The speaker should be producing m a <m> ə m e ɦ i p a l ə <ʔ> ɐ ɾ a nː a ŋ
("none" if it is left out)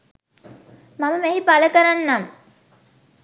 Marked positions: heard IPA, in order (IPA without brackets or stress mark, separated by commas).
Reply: m, k